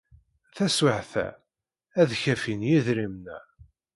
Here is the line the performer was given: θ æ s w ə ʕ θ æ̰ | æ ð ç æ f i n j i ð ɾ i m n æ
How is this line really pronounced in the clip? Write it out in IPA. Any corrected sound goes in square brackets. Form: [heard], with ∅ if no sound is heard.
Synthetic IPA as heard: θ æ s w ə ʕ θ æ̰ | æ ð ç æ f i n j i ð ɾ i m n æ